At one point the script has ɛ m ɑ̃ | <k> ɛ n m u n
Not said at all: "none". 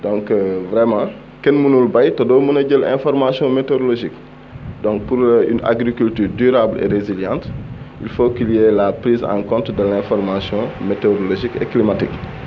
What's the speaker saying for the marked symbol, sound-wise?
k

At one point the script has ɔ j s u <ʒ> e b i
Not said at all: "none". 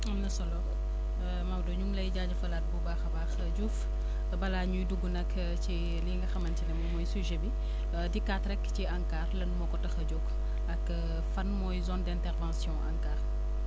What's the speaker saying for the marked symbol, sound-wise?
ʒ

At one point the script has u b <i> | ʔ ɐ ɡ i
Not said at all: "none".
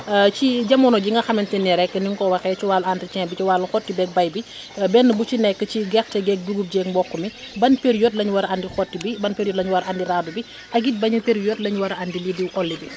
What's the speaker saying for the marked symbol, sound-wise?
i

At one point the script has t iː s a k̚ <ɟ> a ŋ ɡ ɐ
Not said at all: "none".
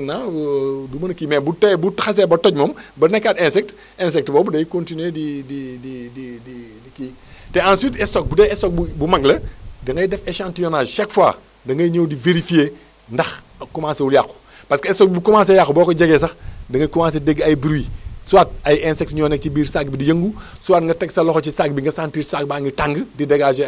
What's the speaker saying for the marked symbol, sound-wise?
b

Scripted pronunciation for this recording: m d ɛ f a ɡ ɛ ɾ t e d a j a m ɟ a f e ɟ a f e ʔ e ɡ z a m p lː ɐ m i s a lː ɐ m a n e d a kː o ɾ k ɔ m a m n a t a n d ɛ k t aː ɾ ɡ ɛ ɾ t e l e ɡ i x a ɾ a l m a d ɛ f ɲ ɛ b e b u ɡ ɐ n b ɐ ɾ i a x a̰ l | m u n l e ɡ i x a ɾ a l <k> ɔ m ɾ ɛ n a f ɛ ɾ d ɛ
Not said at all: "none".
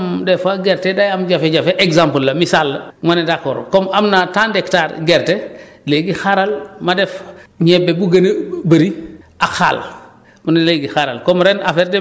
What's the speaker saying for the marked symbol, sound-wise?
k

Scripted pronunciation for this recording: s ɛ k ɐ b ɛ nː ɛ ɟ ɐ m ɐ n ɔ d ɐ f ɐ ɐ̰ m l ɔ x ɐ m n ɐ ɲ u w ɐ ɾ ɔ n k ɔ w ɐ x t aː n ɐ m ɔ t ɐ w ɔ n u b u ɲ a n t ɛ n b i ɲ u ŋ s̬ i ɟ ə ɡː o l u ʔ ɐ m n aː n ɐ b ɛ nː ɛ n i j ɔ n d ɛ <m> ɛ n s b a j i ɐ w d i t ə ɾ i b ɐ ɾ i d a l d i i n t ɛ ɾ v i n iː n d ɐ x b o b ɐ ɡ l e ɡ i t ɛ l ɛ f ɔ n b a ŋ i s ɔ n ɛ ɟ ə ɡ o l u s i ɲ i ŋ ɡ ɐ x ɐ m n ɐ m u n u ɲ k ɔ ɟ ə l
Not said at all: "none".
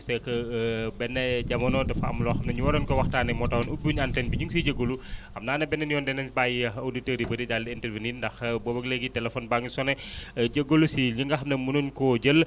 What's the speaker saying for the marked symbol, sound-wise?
n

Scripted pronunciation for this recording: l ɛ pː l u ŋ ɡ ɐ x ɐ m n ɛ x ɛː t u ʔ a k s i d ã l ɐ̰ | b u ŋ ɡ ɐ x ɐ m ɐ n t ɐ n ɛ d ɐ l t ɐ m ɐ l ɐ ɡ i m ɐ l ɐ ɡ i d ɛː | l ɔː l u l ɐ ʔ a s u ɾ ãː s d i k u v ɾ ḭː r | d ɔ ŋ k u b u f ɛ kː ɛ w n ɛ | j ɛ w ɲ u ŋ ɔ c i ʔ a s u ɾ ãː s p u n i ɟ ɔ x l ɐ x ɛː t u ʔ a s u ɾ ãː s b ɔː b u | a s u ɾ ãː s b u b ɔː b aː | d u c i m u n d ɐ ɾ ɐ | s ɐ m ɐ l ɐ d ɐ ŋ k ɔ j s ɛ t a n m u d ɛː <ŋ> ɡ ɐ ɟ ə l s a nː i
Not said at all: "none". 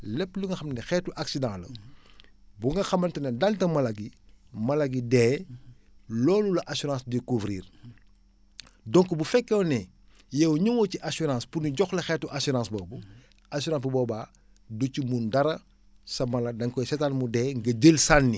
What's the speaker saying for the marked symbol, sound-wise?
ŋ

